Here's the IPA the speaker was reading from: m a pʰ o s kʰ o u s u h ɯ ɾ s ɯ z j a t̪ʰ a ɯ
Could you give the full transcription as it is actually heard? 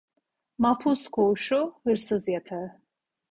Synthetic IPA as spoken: m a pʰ u s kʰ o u ʃ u h ɯ ɾ s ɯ z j a t̪ʰ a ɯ